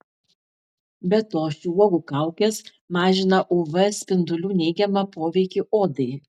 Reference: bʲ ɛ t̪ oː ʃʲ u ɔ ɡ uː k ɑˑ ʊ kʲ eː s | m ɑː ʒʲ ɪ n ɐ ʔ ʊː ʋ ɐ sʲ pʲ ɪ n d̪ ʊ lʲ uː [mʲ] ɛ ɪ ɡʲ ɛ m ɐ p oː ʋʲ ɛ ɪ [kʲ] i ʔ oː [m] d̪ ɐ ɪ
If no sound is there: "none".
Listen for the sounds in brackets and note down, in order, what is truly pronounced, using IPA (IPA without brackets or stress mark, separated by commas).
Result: nʲ, kʲ, none